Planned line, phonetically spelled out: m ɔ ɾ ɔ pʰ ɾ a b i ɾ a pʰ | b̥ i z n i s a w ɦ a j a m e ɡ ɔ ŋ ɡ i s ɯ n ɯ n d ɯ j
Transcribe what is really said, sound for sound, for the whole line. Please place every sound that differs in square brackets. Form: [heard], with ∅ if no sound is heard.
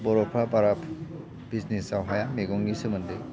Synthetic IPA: [b] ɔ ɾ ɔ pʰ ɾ a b [a] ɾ a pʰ | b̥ i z n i s a w ɦ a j a m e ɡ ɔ ŋ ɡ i s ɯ [m] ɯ n d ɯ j